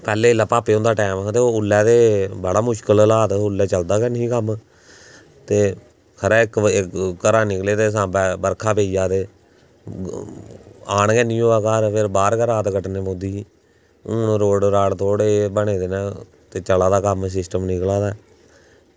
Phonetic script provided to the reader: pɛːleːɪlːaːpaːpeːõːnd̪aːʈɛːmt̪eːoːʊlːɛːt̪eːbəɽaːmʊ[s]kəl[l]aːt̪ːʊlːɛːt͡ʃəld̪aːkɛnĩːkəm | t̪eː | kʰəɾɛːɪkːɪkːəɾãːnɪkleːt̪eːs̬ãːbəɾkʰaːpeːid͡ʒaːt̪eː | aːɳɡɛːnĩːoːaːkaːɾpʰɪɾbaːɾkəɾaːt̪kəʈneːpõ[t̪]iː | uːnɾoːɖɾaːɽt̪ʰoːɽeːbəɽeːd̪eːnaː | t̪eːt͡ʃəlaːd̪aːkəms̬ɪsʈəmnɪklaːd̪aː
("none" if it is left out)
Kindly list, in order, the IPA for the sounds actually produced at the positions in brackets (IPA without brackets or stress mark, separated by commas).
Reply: ʃ, l, d̪